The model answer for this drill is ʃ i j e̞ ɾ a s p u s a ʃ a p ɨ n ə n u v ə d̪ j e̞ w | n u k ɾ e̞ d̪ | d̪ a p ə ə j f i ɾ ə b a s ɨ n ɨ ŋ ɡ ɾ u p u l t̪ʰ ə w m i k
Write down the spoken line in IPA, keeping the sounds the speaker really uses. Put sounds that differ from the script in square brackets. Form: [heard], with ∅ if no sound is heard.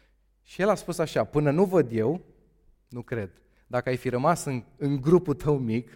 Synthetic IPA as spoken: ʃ i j e̞ [l] a s p u s a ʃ a p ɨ n ə n u v ə d̪ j e̞ w | n u k ɾ e̞ d̪ | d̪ a [k] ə [a] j f i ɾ ə [m] a s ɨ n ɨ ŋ ɡ ɾ u p u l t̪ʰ ə w m i k